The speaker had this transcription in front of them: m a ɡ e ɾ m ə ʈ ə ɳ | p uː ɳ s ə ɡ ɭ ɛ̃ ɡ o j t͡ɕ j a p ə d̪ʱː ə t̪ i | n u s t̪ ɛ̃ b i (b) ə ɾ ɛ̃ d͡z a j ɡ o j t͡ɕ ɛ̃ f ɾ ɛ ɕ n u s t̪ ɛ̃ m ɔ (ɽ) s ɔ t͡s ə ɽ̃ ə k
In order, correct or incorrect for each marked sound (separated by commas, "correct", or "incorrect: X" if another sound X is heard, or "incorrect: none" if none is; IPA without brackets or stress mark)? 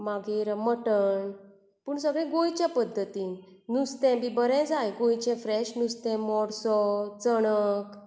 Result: correct, correct